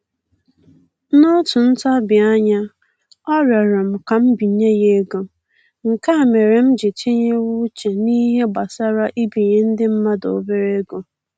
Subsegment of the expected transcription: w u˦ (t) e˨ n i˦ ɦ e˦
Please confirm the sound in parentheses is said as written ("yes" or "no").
no